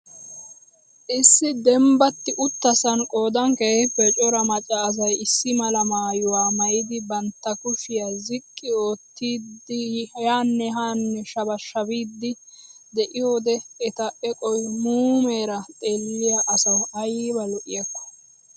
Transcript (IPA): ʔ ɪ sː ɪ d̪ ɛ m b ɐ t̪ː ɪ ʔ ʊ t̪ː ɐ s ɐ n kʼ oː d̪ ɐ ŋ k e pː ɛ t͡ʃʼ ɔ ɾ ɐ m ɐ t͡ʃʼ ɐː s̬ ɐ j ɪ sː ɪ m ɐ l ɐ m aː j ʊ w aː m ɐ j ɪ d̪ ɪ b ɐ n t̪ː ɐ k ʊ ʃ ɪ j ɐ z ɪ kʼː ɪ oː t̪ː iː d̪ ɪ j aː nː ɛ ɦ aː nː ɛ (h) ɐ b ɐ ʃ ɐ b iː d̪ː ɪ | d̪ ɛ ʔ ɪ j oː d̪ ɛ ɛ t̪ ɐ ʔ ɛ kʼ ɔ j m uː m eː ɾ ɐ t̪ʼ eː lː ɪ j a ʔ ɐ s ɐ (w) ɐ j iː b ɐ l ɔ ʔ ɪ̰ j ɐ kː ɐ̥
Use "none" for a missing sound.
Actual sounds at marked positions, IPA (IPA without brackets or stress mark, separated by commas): ʃ, w